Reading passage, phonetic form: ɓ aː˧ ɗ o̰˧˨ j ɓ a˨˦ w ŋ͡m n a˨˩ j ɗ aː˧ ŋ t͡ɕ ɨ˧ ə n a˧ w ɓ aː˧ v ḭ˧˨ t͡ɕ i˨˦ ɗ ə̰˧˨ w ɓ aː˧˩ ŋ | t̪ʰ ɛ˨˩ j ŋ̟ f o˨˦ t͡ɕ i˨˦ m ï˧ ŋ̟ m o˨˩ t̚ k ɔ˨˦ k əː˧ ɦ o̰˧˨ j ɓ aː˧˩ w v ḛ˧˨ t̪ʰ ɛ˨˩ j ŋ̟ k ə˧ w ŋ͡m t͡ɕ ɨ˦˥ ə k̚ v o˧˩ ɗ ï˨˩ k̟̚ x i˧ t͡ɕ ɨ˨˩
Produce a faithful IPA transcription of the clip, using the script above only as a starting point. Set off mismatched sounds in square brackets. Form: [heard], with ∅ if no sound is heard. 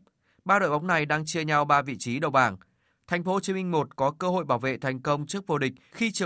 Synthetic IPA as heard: ɓ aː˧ ɗ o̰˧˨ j ɓ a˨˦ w ŋ͡m n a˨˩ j ɗ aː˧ ŋ t͡ɕ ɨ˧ ə [ɲ] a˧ w ɓ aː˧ v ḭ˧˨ t͡ɕ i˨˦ ɗ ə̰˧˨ w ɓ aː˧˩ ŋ | t̪ʰ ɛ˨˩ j ŋ̟ f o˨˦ t͡ɕ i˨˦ m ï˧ ŋ̟ m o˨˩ t̚ k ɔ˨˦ k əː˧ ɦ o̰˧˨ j ɓ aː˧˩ w v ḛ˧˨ t̪ʰ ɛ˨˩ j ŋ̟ k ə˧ w ŋ͡m t͡ɕ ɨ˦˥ ə k̚ v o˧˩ ɗ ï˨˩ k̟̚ x i˧ t͡ɕ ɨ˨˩